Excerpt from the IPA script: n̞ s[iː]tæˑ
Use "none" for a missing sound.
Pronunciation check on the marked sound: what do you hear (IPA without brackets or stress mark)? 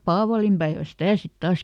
i